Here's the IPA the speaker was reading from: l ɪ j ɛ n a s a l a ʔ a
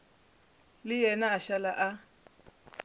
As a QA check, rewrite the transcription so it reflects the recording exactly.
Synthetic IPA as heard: l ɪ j ɛ n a ʃ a l a ʔ a